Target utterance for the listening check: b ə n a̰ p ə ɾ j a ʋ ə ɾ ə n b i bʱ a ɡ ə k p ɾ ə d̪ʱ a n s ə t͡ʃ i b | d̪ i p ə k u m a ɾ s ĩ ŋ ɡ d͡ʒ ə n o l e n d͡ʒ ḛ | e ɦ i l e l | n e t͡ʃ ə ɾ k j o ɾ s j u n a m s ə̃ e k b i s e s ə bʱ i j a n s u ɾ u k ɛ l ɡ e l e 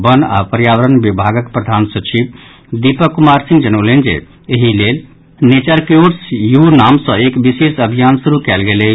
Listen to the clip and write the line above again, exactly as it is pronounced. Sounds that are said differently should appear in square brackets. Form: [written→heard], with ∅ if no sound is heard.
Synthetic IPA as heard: b ə n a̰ p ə ɾ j a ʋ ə ɾ ə n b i bʱ a ɡ ə k p ɾ ə d̪ʱ a n s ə t͡ʃ i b | d̪ i p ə k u m a ɾ s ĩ ŋ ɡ d͡ʒ ə n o l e n d͡ʒ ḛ | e ɦ i l e l | n e t͡ʃ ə ɾ k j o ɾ s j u n a m s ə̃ e k b i s e s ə bʱ i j a n s u ɾ u k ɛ l ɡ e l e